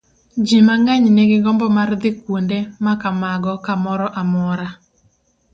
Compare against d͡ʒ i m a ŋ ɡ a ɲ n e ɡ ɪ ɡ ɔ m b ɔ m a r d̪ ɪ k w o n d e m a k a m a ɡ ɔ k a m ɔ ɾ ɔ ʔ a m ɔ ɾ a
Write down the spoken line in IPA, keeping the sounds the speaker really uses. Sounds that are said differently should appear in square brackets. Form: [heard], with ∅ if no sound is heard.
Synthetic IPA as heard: d͡ʒ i m a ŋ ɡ a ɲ n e ɡ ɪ ɡ ɔ m b ɔ m a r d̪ ɪ k w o n d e m a k a m a ɡ ɔ k a m ɔ ɾ ɔ ʔ a m ɔ ɾ a